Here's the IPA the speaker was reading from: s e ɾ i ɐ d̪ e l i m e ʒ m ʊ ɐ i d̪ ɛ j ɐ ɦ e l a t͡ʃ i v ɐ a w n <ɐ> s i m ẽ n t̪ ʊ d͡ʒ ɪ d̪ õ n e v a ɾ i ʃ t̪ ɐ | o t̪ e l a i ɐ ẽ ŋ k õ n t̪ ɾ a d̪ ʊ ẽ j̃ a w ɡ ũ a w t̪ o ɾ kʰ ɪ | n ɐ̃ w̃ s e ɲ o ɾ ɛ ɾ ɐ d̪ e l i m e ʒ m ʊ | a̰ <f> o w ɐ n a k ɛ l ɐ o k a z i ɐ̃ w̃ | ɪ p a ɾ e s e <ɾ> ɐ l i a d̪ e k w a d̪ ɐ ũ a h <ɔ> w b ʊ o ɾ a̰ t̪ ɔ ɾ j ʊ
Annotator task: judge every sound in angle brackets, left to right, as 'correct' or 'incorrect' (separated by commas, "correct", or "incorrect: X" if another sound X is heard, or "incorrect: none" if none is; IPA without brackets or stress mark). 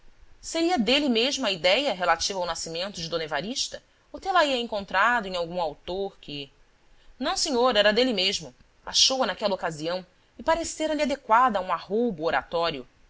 incorrect: a, incorrect: ʃ, correct, incorrect: o